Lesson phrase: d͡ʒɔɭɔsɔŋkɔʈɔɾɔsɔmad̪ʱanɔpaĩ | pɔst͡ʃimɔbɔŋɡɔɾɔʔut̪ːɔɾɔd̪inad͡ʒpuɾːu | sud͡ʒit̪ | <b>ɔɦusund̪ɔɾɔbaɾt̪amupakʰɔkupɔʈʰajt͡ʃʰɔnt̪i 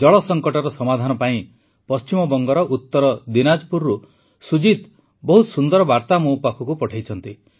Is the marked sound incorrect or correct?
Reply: correct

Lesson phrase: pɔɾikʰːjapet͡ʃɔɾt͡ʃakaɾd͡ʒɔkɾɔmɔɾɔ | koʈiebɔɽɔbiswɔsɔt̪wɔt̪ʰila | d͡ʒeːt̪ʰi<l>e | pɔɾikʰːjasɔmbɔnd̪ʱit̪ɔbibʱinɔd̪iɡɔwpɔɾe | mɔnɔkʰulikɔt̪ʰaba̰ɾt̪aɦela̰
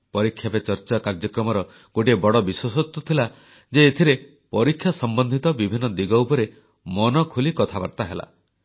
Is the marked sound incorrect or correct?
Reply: incorrect: ɾ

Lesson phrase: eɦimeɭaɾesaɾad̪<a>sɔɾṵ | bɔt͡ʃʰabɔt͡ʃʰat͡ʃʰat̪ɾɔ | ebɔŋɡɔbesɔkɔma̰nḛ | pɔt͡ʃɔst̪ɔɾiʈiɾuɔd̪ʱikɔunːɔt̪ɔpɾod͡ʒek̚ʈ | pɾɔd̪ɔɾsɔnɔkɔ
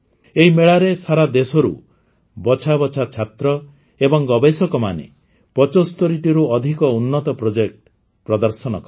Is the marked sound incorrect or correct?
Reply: incorrect: e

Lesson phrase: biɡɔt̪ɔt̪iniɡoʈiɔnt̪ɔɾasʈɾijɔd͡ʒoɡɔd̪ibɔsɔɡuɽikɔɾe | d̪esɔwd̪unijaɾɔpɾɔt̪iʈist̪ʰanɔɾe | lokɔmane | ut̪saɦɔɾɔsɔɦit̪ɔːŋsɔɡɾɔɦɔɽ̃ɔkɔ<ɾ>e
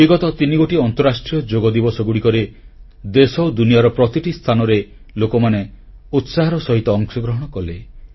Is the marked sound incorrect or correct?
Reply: incorrect: l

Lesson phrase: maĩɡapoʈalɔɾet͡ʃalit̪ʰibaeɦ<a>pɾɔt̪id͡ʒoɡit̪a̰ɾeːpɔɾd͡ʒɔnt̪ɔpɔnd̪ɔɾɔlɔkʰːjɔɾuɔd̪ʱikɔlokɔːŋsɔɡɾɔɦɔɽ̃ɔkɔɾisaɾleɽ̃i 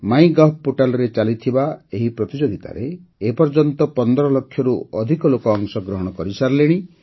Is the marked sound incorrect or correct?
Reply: incorrect: i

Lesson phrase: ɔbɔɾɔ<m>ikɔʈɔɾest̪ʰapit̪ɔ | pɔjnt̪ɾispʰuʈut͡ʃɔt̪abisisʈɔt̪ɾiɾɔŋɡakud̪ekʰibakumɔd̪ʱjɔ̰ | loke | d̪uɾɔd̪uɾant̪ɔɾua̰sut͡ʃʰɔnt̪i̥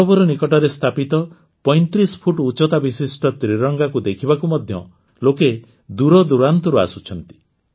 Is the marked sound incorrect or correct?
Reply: incorrect: n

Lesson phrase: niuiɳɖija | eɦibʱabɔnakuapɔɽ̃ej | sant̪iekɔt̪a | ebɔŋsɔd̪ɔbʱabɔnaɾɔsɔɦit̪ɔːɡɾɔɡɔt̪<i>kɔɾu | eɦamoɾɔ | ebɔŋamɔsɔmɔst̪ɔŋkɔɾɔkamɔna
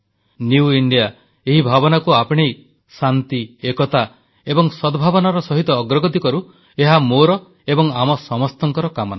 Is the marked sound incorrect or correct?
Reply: correct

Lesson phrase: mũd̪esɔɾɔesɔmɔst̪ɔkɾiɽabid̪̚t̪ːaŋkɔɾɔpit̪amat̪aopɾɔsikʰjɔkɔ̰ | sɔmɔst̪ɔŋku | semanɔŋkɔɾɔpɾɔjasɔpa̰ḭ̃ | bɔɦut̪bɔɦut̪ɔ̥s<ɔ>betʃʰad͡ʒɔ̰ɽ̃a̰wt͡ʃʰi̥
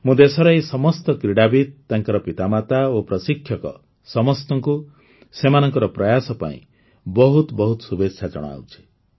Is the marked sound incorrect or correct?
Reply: incorrect: u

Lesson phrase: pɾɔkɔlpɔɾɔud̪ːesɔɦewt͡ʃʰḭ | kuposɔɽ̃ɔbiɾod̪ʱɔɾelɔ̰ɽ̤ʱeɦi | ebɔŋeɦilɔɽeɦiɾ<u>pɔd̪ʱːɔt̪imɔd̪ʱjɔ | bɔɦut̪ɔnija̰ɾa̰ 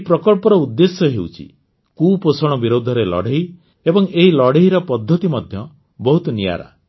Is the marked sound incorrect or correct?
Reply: incorrect: ɔ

